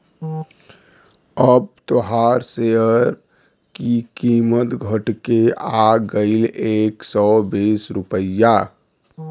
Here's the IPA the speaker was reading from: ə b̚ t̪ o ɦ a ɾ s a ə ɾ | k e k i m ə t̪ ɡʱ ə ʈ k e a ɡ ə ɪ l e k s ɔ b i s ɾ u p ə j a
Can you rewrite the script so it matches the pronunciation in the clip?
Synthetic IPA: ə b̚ t̪ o ɦ a ɾ s e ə ɾ | k i k i m ə t̪ ɡʱ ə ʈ k e a ɡ ə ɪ l e k s ɔ b i s ɾ u p ə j a